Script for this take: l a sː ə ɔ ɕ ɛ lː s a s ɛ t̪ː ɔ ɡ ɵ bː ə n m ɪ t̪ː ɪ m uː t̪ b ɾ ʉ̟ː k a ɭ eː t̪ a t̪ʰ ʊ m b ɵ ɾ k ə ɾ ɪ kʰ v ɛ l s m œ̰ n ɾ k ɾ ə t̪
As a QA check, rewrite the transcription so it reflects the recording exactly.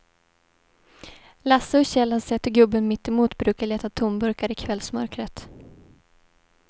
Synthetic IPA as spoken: l a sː ə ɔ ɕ ɛ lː h a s ɛ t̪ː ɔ ɡ ɵ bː ə n m ɪ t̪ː ɪ m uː t̪ b ɾ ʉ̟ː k a ɭ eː t̪ a t̪ʰ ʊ m b ɵ ɾ k a ɾ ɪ kʰ v ɛ l s m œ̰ ɾ k ɾ ə t̪